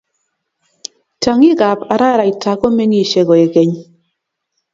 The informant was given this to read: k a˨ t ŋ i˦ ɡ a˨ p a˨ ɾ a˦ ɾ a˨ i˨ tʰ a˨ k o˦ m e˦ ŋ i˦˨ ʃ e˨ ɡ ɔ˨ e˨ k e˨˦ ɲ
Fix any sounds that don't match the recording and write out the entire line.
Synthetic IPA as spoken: t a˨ ŋ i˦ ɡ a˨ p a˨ ɾ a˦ ɾ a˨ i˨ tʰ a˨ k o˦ m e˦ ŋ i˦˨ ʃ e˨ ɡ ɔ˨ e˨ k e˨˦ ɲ